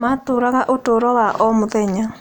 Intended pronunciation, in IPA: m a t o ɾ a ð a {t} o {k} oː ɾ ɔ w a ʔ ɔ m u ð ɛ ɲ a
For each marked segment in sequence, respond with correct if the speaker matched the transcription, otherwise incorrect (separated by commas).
incorrect, incorrect